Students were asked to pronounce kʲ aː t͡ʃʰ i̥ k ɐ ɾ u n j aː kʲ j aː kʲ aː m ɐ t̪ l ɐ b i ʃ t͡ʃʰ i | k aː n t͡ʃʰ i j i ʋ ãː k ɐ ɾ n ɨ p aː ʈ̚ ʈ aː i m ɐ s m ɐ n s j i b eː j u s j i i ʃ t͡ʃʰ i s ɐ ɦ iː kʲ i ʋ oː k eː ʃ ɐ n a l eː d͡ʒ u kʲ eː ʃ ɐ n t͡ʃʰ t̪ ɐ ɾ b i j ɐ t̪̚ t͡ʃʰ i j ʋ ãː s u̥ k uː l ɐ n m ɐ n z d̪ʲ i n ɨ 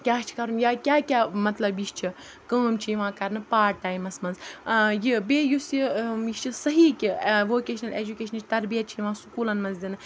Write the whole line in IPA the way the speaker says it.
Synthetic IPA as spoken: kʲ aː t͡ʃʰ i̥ k ɐ ɾ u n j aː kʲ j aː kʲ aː m ɐ t̪ l ɐ b i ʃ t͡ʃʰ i | k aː m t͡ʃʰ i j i ʋ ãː k ɐ ɾ n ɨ p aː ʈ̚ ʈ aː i m ɐ s m ɐ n z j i b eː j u s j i i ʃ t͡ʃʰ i s ɐ ɦ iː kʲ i ʋ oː k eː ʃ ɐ n ɐ l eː d͡ʒ u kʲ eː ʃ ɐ n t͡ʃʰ t̪ ɐ ɾ b i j ɐ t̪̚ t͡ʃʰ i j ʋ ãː s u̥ k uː l ɐ n m ɐ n z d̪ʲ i n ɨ